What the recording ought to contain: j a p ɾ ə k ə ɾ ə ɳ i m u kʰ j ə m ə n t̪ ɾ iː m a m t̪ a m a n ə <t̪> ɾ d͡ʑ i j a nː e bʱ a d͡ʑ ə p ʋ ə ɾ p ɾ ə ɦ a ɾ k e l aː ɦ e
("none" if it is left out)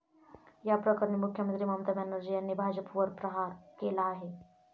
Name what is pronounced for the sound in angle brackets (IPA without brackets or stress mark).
none